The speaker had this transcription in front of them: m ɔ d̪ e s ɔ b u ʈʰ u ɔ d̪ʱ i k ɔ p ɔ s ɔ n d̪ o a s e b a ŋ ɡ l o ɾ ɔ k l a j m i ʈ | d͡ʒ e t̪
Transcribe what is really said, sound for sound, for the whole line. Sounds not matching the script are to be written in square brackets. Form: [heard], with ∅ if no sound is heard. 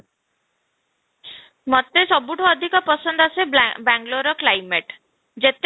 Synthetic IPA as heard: m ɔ [t̪] e s ɔ b u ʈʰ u ɔ d̪ʱ i k ɔ p ɔ s ɔ n d̪ [ɔ] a s e b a ŋ ɡ l o ɾ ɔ k l a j m [e] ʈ | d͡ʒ e t̪